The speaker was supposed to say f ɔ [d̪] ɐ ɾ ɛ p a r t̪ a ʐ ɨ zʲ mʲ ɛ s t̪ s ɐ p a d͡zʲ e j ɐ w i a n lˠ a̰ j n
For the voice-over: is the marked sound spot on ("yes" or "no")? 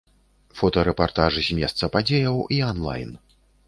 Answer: no